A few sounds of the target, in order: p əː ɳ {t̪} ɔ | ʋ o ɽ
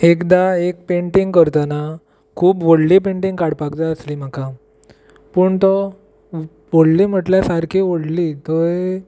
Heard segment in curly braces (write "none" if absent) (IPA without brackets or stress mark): t̪